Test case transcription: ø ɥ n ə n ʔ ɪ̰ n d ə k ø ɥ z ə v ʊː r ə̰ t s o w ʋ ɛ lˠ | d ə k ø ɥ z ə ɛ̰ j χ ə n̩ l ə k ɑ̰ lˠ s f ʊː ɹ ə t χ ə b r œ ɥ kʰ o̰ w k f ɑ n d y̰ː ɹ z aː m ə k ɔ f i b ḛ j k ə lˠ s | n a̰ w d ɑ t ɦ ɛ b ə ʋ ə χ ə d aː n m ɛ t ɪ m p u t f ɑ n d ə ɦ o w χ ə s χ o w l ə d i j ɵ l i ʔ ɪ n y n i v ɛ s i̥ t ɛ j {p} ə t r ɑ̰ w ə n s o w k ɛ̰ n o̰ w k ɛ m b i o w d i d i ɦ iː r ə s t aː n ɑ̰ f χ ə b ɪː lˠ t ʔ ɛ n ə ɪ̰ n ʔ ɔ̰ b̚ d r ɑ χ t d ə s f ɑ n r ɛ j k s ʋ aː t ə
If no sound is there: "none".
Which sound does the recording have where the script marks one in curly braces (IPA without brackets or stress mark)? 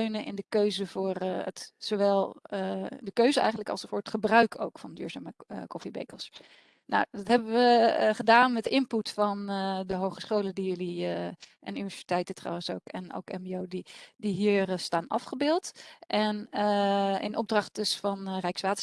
t